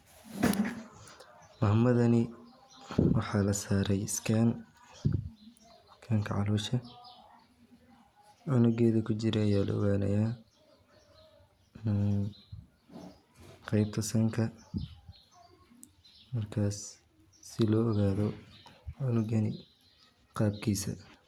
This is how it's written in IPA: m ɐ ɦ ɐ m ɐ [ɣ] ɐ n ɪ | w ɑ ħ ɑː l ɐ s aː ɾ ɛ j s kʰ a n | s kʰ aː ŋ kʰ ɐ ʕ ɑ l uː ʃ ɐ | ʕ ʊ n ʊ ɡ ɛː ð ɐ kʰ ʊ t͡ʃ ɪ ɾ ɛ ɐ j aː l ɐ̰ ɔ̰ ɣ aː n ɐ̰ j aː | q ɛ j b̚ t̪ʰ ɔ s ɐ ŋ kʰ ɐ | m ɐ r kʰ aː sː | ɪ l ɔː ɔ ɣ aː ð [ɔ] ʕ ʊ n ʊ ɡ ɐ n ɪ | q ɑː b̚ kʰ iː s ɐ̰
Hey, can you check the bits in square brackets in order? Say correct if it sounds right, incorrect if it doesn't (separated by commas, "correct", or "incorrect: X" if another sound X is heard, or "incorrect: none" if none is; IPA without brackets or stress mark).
incorrect: ð, correct